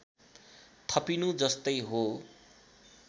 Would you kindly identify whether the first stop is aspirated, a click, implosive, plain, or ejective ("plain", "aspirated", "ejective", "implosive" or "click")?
aspirated